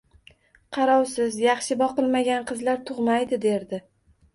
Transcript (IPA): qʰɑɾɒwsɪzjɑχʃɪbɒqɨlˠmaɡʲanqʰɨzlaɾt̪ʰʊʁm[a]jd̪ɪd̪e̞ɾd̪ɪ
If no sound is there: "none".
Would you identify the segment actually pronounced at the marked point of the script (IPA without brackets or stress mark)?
a